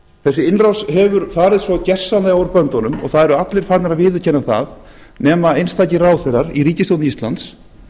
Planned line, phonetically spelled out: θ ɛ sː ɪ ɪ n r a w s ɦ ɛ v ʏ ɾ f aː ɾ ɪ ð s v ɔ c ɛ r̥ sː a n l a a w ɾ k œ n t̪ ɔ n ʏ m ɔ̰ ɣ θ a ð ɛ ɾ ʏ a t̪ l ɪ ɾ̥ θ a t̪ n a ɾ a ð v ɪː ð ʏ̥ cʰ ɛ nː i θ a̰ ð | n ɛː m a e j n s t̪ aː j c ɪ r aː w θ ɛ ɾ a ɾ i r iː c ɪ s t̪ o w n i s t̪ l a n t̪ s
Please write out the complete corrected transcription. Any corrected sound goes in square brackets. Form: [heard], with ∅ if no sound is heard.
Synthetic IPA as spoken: θ ɛ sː ɪ ɪ n r a w s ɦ ɛ v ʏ ɾ f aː ɾ ɪ ð s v ɔ c ɛ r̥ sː a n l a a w ɾ [p] œ n t̪ ɔ n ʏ m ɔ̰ ɣ θ a ð ɛ ɾ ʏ a t̪ l ɪ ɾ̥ [f] a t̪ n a ɾ a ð v ɪː ð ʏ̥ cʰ ɛ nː [a] θ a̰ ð | n ɛː m a e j n s t̪ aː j c ɪ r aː w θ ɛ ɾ a ɾ i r iː c ɪ s t̪ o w n i s t̪ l a n t̪ s